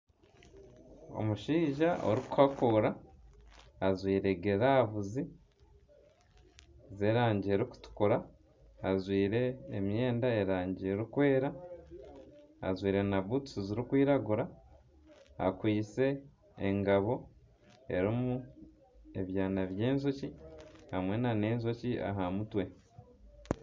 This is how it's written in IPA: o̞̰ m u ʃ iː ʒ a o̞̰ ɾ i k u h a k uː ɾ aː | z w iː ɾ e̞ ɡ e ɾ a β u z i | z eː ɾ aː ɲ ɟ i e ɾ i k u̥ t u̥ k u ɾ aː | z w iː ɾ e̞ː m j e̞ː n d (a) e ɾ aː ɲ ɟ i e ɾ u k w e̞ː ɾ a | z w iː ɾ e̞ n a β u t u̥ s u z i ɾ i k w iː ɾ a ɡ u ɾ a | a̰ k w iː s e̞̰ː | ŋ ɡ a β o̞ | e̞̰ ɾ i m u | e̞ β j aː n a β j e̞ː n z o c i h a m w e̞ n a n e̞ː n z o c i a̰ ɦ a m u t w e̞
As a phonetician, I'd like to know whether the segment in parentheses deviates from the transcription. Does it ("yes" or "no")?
no